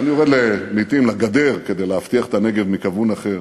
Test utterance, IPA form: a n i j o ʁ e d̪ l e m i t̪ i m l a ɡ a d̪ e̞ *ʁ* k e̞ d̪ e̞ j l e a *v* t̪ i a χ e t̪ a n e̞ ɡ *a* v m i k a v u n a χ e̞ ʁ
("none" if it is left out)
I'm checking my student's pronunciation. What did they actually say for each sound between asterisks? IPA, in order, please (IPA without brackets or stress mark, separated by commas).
ʁ, f, e